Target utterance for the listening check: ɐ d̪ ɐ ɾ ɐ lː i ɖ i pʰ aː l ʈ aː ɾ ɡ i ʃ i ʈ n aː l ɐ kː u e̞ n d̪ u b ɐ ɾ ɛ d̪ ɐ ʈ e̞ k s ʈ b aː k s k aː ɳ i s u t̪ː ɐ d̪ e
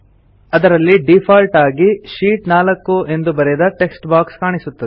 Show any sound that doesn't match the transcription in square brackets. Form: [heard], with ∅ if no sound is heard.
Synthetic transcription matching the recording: ɐ d̪ ɐ ɾ ɐ lː i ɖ i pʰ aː l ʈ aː [∅] ɡ i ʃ [iː] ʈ n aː l ɐ kː u e̞ n d̪ u b ɐ ɾ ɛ d̪ ɐ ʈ e̞ k s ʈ b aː k s k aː ɳ i s u t̪ː ɐ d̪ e